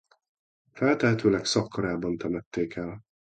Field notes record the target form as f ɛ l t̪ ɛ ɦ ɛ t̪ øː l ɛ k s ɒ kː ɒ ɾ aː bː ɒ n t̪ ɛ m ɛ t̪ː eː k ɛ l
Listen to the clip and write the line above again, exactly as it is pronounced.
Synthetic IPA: f ɛ l t̪ ɛ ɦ ɛ t̪ øː l ɛ k s ɒ kː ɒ ɾ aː b ɒ n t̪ ɛ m ɛ t̪ː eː k ɛ l